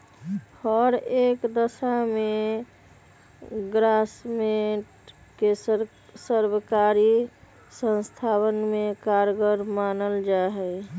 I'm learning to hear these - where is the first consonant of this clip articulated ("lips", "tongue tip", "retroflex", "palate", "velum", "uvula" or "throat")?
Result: throat